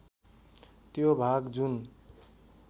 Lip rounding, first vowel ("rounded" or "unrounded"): rounded